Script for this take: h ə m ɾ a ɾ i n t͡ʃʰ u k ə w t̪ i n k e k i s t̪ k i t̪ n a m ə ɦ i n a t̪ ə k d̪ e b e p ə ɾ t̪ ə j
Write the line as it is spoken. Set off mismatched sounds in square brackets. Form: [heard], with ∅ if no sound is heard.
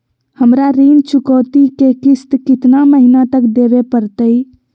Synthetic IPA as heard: h ə m ɾ a ɾ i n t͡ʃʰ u k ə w t̪ i [∅] k e k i s t̪ k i t̪ n a m ə ɦ i n a t̪ ə k d̪ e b e p ə ɾ t̪ ə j